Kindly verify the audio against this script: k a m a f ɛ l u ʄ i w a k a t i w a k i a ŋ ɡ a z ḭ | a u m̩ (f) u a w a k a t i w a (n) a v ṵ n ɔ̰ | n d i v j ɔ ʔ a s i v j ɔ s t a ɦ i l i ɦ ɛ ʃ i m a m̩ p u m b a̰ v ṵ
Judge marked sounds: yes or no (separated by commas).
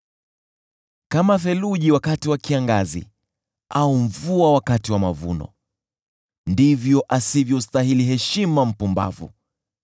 no, no